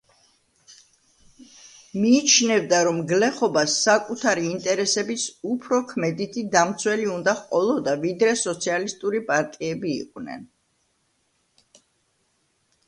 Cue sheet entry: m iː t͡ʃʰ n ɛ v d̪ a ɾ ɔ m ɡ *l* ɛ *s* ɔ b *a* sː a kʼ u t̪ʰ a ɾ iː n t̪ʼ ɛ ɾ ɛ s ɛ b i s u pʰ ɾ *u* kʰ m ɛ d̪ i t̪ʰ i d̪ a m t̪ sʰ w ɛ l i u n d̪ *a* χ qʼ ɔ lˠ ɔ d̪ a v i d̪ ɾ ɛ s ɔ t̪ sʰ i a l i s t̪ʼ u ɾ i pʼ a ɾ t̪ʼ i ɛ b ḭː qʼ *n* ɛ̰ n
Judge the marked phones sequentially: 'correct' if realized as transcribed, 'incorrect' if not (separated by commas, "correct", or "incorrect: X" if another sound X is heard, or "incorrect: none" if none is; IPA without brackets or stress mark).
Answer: correct, incorrect: χ, correct, incorrect: ɔ, correct, correct